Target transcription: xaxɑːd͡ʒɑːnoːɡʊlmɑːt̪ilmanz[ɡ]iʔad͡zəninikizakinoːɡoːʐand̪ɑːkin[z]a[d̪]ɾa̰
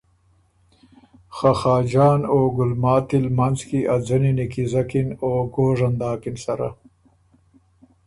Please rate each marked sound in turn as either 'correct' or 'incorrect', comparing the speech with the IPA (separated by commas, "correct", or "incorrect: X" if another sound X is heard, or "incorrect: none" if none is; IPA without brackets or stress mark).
incorrect: k, incorrect: s, incorrect: none